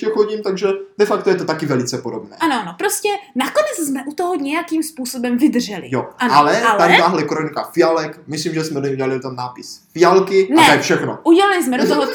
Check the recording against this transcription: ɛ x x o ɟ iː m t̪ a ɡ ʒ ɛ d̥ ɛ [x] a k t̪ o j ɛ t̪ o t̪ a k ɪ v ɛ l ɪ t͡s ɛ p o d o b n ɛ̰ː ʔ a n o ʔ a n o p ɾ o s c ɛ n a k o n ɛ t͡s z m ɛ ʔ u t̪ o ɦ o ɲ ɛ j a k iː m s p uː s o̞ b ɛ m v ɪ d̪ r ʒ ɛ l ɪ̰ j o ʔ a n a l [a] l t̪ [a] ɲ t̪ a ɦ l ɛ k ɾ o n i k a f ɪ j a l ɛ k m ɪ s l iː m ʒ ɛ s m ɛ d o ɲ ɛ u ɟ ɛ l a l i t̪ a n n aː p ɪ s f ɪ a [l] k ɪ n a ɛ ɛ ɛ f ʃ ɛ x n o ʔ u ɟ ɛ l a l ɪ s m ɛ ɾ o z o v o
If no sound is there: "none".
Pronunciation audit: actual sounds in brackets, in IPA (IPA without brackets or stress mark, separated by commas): f, ɛ, a, l